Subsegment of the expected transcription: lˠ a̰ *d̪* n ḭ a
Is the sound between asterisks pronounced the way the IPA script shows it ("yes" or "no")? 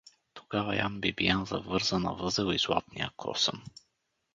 no